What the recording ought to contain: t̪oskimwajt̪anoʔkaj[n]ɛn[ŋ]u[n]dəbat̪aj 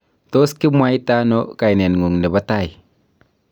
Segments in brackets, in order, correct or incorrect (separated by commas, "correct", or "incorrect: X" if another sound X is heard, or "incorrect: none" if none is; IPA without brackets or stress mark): correct, correct, incorrect: ŋ